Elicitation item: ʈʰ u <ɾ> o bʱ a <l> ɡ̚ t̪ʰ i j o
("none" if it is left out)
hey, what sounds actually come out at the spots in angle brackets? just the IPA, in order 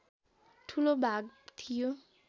l, none

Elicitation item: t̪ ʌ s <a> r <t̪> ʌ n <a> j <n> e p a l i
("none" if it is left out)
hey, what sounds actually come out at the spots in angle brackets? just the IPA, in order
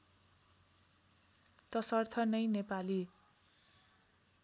ʌ, t̪ʰ, ʌ, n

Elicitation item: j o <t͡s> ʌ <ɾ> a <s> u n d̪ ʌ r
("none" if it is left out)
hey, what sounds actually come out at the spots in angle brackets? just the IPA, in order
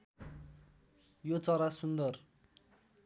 t͡s, ɾ, s

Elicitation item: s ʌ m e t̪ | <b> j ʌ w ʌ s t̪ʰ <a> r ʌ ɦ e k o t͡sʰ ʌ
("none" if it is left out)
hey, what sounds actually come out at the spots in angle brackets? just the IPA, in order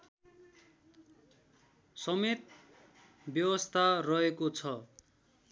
b, a

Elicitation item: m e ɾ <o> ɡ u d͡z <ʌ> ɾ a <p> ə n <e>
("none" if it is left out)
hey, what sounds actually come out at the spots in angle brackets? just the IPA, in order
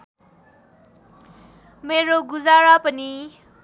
o, a, p, i

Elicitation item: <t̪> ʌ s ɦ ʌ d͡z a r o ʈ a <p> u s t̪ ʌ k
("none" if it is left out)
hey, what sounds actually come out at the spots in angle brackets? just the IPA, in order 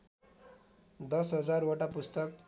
d̪, p

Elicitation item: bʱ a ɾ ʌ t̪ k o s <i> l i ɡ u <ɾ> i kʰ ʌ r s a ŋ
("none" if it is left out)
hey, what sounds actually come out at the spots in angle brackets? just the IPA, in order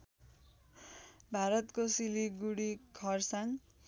i, ɽ

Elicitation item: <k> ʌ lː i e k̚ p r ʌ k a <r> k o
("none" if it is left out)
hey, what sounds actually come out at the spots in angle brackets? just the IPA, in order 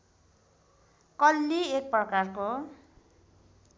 k, r

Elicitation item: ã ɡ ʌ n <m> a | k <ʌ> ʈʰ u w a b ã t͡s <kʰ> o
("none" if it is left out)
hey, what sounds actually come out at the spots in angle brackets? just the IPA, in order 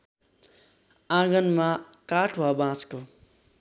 m, a, k

